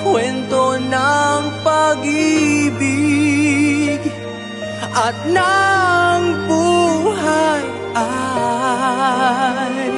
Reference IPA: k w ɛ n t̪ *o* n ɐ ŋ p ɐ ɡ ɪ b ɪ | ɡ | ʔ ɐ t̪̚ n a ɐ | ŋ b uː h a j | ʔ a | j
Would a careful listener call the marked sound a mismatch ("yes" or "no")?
no